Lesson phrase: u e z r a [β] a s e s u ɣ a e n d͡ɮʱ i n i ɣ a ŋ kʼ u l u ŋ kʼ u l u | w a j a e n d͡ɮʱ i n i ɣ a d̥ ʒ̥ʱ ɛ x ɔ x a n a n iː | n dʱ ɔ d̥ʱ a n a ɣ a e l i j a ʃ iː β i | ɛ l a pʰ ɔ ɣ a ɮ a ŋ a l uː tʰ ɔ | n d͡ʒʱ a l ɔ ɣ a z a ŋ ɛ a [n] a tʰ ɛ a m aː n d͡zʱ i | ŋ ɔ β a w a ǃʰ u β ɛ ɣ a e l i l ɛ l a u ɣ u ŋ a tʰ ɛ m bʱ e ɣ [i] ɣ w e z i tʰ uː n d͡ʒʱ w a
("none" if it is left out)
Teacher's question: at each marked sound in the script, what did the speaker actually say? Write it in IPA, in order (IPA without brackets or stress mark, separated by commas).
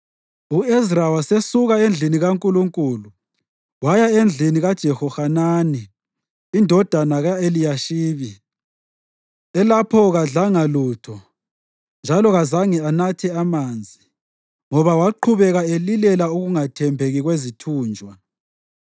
w, n, i